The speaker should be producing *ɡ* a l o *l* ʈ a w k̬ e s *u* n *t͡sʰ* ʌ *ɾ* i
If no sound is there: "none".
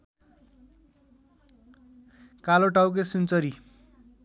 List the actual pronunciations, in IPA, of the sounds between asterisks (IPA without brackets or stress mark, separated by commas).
k, none, u, t͡s, ɾ